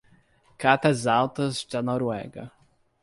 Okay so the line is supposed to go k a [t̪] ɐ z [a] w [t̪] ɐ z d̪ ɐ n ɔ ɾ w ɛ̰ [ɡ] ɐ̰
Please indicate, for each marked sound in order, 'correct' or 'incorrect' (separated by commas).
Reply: correct, correct, correct, correct